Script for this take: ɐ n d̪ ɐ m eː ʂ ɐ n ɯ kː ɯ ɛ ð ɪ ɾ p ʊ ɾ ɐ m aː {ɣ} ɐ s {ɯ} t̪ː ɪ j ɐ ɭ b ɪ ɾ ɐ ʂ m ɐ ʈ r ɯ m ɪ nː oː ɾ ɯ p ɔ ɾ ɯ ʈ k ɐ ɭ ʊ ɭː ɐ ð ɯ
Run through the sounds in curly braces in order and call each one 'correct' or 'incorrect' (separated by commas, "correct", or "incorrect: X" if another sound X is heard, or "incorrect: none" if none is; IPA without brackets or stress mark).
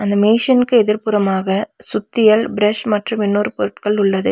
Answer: correct, incorrect: ʊ